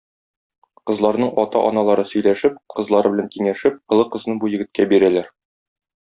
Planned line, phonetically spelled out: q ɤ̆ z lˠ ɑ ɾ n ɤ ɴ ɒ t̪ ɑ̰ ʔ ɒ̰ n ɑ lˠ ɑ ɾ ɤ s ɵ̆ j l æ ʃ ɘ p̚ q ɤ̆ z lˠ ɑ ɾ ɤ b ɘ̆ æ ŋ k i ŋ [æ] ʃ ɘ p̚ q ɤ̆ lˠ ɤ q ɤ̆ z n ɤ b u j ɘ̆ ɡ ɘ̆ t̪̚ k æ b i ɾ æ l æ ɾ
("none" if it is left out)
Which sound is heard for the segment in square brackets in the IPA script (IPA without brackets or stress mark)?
æ